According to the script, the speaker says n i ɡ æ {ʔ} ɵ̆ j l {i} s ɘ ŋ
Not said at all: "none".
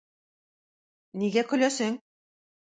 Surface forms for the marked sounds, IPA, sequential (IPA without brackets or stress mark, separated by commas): k, æ